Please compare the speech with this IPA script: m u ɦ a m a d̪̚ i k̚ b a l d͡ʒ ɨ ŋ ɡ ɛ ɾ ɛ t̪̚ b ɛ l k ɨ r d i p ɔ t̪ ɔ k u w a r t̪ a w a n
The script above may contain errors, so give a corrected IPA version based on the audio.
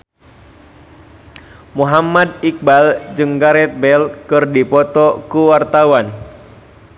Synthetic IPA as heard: m u ɦ a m a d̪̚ i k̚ b a l d͡ʒ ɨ ŋ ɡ a ɾ ɛ t̪̚ b ɛ l k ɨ r d i p ɔ t̪ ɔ k u w a r t̪ a w a n